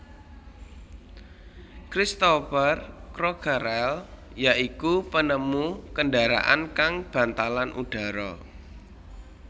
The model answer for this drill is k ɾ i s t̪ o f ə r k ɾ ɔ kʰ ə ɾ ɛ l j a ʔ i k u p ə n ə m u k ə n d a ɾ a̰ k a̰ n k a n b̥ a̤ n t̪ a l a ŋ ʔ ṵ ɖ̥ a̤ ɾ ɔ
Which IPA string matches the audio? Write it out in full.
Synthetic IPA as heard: k ɾ i s t̪ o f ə r k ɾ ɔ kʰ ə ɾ ɛ l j a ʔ i k u p ə n ə m u k ə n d a ɾ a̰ ʔ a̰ n k a ŋ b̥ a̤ n t̪ a l a n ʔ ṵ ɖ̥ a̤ ɾ ɔ